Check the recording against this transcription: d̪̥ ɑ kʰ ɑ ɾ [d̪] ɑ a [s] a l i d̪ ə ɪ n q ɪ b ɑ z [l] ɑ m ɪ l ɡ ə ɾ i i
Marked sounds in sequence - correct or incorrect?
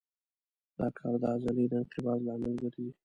correct, incorrect, correct

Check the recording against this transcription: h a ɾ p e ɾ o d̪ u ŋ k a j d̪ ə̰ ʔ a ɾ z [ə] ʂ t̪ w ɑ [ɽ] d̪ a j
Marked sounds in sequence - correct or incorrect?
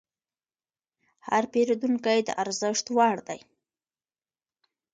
correct, correct

